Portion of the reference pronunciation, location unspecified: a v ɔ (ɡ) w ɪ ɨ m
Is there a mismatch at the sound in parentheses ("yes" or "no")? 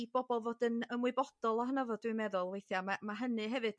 yes